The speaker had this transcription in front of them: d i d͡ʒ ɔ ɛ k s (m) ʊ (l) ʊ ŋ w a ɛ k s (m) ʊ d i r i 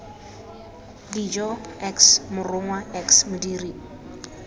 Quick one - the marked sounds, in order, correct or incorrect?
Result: correct, incorrect, correct

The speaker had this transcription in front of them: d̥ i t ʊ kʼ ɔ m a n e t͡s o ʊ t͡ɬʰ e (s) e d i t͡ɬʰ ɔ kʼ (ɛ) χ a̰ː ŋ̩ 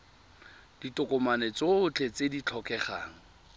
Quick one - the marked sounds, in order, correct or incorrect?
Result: incorrect, correct

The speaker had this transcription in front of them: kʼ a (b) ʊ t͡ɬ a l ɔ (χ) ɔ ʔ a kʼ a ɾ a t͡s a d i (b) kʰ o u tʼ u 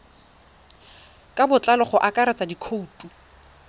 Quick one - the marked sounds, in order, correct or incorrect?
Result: correct, correct, incorrect

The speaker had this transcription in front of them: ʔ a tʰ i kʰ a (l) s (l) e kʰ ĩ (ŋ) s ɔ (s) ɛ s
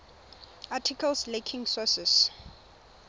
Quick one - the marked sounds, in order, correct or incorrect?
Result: correct, correct, correct, correct

